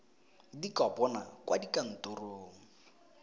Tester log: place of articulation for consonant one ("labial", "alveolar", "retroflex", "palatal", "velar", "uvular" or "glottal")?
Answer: alveolar